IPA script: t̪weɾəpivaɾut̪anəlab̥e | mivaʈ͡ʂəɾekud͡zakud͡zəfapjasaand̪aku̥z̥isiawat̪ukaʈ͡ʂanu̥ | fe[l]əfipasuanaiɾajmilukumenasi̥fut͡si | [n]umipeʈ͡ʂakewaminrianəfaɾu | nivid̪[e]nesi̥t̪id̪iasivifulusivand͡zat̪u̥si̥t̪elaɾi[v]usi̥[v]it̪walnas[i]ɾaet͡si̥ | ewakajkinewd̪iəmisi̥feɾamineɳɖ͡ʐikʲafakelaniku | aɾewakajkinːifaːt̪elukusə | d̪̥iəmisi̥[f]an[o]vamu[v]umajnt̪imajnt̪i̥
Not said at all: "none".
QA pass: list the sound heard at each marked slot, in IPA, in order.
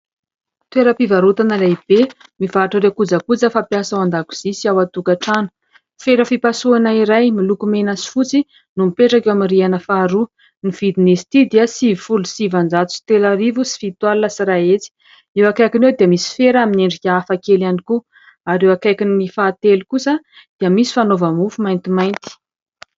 ɾ, n, i, v, f, i, f, o, f

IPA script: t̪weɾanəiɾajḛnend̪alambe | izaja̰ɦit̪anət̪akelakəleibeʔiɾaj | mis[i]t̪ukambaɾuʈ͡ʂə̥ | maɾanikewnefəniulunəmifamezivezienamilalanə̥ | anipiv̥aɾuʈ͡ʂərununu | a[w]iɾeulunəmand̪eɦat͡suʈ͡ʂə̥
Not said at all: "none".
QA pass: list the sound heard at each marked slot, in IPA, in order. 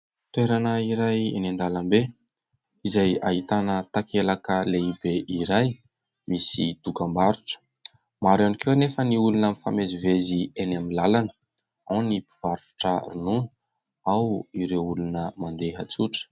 i, w

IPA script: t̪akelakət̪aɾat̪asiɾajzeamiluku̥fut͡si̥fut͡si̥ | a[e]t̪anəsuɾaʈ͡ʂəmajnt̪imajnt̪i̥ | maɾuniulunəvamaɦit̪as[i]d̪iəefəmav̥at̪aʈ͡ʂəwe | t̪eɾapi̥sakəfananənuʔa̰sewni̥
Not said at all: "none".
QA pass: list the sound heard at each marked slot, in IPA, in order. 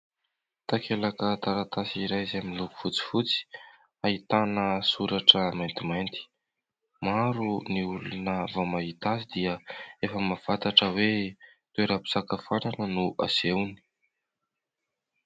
i, i

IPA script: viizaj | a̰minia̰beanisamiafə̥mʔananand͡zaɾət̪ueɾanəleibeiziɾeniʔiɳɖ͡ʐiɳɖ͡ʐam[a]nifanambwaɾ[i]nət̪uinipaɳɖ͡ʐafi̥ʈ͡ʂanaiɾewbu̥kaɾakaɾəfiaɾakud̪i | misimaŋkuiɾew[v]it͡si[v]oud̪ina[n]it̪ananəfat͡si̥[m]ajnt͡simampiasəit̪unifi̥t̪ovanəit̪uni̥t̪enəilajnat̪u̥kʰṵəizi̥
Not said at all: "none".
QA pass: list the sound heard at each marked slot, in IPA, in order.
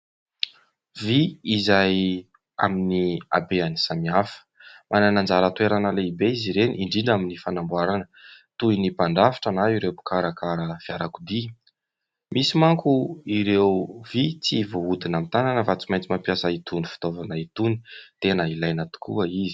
i, a, v, v, m, m

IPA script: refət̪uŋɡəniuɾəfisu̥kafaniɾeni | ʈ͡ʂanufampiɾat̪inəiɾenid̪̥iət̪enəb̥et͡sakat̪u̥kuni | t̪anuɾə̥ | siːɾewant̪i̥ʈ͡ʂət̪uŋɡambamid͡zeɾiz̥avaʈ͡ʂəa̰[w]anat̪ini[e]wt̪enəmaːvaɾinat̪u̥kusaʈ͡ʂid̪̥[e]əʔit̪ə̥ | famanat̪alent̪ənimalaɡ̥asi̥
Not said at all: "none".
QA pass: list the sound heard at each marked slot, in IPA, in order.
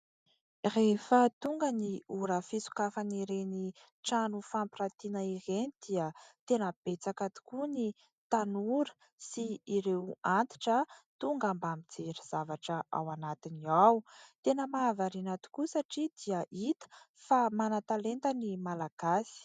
w, a, i

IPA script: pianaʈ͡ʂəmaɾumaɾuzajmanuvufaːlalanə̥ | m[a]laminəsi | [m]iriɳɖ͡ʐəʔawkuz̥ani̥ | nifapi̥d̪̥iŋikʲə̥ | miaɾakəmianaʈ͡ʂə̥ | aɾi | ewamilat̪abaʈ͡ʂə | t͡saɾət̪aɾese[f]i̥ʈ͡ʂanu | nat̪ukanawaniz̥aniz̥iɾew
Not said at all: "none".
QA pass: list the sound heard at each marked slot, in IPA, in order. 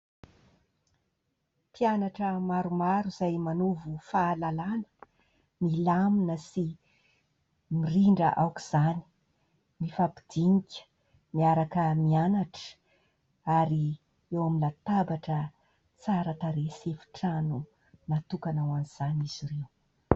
i, m, f

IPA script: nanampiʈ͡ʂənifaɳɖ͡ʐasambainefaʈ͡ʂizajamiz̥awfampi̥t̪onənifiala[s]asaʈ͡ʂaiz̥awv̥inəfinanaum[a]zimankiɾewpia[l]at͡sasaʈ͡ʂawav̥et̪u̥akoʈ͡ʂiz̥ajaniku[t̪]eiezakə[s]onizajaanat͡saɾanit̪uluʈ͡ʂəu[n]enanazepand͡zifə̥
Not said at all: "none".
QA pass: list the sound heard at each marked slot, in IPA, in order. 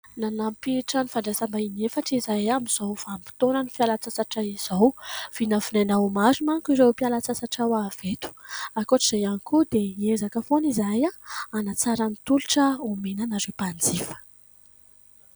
t͡s, a, l, d̪, f, m

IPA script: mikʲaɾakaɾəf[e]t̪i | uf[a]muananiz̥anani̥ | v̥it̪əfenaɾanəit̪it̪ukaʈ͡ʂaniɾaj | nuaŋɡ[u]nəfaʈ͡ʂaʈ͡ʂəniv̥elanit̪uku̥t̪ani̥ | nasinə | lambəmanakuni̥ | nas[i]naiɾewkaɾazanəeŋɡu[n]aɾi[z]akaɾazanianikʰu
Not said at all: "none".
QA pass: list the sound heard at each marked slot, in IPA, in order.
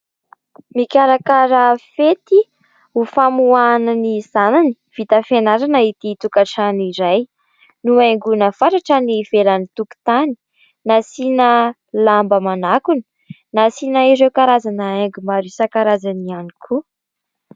e, a, u, i, m, s

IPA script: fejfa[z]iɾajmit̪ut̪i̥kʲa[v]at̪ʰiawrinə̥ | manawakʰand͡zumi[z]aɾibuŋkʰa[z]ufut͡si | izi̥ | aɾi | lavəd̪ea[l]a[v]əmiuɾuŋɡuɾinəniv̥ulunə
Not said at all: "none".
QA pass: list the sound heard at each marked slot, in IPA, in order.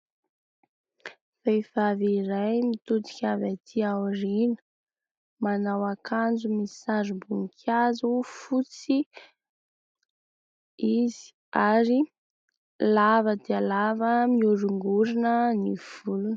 v, v, s, z, l, v

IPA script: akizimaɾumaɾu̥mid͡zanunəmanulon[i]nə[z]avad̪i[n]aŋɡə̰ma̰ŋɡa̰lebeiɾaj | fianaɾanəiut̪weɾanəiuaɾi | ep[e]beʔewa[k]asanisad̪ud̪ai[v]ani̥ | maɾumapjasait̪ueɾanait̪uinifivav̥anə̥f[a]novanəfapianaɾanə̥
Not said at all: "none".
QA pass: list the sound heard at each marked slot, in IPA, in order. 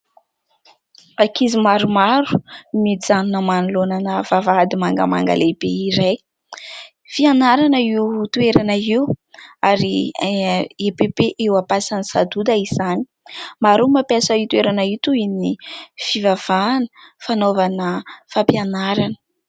a, v, m, e, p, z, a

